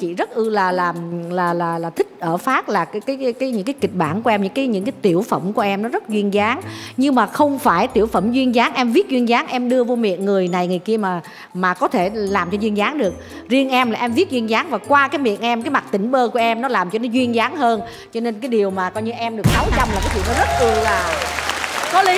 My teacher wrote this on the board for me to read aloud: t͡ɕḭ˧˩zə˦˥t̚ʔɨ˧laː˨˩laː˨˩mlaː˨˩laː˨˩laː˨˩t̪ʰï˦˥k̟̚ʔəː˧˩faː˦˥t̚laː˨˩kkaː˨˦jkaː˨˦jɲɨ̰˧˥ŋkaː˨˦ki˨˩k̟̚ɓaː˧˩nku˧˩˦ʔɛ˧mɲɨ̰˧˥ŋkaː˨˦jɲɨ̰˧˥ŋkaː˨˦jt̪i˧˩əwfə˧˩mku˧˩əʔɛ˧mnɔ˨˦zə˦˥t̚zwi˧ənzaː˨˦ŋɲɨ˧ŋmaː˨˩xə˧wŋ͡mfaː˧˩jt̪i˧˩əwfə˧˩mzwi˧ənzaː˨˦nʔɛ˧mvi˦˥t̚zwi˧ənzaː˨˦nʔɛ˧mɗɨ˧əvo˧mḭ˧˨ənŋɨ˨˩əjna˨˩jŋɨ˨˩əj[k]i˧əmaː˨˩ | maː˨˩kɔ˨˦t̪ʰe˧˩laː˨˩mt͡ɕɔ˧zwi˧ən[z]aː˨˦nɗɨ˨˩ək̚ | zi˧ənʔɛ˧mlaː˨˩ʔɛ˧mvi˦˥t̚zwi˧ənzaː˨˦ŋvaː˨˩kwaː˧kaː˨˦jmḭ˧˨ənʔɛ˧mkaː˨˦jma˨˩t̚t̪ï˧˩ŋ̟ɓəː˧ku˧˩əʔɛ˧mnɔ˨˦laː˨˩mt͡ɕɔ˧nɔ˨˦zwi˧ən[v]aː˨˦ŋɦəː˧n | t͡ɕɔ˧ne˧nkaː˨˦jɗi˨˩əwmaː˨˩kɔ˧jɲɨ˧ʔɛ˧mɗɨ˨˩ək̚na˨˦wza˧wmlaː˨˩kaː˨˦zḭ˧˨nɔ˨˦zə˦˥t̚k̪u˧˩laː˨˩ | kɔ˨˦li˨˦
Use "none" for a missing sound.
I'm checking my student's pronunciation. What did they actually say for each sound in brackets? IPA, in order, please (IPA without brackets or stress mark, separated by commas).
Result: k, z, z